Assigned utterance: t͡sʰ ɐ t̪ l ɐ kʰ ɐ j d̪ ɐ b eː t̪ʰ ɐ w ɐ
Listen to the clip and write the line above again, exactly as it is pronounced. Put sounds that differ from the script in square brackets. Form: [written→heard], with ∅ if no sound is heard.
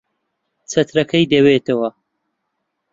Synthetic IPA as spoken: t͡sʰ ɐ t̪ [l→ɾ] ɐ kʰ ɐ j d̪ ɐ [b→w] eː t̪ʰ ɐ w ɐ